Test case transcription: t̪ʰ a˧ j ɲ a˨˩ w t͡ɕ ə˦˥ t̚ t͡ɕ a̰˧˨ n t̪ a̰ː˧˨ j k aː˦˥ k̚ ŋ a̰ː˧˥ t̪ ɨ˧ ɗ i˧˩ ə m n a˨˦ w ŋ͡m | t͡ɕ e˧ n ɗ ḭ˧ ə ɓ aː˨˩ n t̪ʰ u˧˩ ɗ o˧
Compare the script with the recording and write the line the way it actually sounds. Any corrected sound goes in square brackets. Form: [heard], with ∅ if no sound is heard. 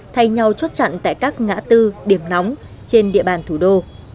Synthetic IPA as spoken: t̪ʰ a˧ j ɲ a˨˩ w t͡ɕ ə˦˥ t̚ t͡ɕ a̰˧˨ n t̪ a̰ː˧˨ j k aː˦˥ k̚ ŋ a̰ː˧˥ t̪ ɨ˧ ɗ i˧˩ ə m n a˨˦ w ŋ͡m | t͡ɕ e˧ n ɗ ḭ˧ ə ɓ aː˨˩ n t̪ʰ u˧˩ ɗ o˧

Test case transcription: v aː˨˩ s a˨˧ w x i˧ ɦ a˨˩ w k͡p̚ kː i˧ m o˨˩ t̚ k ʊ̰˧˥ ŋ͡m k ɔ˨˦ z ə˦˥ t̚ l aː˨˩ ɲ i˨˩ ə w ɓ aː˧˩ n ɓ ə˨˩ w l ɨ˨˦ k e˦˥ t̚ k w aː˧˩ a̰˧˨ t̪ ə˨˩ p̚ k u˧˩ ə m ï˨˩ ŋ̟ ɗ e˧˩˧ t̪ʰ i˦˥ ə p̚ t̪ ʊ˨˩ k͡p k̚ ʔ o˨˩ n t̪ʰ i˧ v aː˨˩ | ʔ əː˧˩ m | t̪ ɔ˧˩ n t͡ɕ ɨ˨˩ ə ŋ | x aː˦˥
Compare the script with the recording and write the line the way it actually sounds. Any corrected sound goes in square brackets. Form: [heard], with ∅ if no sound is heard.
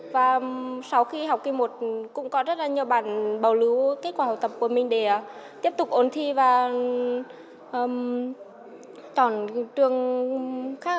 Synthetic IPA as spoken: v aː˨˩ s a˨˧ w x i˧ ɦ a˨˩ w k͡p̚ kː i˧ m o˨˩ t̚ k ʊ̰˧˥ ŋ͡m k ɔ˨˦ z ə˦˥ t̚ l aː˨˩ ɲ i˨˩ ə w ɓ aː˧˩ n ɓ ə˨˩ w l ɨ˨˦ k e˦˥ t̚ k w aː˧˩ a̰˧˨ t̪ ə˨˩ p̚ k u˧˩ ə m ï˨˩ ŋ̟ ɗ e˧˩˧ [t̪] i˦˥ ə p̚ t̪ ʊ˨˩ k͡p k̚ ʔ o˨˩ n t̪ʰ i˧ v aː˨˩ | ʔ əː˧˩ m | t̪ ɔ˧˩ n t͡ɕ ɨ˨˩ ə ŋ | x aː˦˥

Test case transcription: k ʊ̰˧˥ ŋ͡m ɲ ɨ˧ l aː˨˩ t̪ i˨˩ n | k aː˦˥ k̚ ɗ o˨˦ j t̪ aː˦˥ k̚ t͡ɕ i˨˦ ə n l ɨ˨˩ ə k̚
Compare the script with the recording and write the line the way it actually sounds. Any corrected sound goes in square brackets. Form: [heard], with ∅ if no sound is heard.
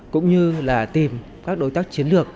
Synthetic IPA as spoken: k ʊ̰˧˥ ŋ͡m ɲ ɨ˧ l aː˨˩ t̪ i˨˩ [m] | k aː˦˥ k̚ ɗ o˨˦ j t̪ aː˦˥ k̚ t͡ɕ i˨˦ ə n l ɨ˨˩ ə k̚

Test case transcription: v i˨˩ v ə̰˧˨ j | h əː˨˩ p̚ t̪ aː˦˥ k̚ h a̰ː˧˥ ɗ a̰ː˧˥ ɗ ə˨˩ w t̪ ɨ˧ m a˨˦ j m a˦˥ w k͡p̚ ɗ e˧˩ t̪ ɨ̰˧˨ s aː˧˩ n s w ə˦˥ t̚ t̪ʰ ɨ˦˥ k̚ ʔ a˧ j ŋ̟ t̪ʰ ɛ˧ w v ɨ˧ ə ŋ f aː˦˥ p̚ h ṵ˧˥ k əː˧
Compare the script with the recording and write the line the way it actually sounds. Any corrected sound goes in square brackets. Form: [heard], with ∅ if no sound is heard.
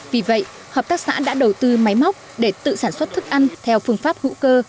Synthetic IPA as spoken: v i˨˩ v ə̰˧˨ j | h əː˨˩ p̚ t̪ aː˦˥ k̚ [s] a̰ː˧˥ ɗ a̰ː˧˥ ɗ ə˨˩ w t̪ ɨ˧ m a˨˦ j m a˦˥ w k͡p̚ ɗ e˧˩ t̪ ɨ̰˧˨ s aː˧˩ n s w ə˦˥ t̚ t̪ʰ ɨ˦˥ k̚ ʔ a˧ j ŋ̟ t̪ʰ ɛ˧ w [f] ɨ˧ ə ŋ f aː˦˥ p̚ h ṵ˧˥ k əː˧

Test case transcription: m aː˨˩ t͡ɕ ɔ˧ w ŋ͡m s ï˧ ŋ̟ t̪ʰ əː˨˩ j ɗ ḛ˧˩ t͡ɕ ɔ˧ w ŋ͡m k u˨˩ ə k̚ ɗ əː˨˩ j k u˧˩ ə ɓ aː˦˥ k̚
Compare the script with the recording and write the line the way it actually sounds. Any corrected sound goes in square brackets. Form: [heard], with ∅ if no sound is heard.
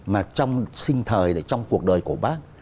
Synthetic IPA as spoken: m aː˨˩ t͡ɕ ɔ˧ w ŋ͡m s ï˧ ŋ̟ t̪ʰ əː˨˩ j ɗ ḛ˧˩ t͡ɕ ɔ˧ w ŋ͡m k u˨˩ ə k̚ ɗ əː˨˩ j k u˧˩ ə ɓ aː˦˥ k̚

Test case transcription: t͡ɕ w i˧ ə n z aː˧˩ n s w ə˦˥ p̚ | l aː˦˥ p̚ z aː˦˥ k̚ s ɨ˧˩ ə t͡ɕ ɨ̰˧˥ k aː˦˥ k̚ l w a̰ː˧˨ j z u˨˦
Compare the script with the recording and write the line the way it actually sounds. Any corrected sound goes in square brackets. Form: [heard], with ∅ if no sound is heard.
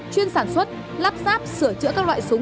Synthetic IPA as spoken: t͡ɕ w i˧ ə n [s] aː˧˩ n s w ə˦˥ [t̚] | l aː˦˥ p̚ z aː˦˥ [p̚] s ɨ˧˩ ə t͡ɕ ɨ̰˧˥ k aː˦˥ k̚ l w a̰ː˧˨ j [s] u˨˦

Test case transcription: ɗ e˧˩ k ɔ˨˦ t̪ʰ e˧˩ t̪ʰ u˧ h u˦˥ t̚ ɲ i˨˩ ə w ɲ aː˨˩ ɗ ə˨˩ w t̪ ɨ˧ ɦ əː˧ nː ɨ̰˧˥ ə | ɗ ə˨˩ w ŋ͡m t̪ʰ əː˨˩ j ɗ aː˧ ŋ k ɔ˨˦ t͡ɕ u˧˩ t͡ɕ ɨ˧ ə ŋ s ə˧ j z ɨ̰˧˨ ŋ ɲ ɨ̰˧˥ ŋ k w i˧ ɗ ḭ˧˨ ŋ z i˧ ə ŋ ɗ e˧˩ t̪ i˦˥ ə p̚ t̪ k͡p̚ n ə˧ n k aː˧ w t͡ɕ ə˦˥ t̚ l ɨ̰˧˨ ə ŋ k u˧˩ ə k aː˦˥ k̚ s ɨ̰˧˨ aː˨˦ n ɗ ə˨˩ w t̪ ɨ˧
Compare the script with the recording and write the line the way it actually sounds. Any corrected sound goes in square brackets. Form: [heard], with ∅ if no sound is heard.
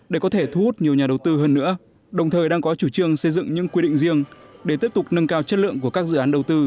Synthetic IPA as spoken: ɗ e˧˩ k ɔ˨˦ t̪ʰ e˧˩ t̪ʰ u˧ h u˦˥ t̚ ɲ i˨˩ ə w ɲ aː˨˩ ɗ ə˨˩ w t̪ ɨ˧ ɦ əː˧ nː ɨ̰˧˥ ə | ɗ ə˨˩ w ŋ͡m t̪ʰ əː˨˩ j ɗ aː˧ ŋ k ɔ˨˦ t͡ɕ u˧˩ t͡ɕ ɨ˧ ə ŋ s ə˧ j z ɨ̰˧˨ ŋ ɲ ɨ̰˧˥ ŋ k w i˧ ɗ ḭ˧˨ ŋ z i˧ ə ŋ ɗ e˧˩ t̪ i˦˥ ə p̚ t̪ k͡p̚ n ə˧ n k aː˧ w t͡ɕ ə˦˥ t̚ l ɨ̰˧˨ ə ŋ k u˧˩ ə k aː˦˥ k̚ [z] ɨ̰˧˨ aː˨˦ n ɗ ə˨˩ w t̪ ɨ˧

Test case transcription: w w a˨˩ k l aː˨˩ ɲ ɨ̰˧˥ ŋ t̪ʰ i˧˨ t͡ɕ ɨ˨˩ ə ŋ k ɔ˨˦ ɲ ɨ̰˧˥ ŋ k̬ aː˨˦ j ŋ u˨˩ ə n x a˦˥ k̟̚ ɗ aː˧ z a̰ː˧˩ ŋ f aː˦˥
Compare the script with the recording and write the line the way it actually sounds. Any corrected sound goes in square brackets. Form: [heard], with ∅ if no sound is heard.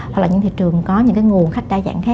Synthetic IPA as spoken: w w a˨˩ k l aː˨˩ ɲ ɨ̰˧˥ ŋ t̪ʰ i˧˨ t͡ɕ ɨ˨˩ ə ŋ k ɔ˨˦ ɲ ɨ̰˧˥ ŋ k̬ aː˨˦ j ŋ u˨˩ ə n x a˦˥ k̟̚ ɗ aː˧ z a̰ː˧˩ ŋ [x] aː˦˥

